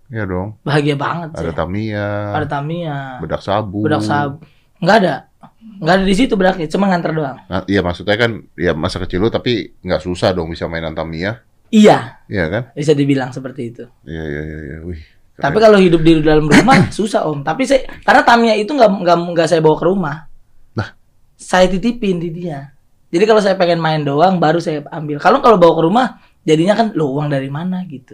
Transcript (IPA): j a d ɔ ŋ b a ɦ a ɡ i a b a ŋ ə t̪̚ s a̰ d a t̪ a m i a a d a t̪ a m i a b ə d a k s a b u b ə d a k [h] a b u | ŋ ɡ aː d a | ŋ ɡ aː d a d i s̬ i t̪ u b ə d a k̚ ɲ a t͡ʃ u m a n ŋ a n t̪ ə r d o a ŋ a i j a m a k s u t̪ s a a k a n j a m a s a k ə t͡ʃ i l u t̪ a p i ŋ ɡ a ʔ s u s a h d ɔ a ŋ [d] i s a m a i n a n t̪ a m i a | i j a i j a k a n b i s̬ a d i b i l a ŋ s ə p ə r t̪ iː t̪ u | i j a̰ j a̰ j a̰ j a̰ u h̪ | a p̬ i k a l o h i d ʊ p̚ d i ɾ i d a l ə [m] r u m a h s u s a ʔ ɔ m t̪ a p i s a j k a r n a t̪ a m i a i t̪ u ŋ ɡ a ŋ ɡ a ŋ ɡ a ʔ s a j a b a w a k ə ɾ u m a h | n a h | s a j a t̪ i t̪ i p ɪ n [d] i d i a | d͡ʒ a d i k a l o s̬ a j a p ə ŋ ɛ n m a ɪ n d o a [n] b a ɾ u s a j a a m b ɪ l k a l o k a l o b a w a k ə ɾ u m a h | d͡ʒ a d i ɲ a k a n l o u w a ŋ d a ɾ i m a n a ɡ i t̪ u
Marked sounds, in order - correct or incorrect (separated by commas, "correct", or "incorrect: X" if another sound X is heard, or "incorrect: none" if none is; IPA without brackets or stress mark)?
incorrect: s, incorrect: b, correct, correct, incorrect: ŋ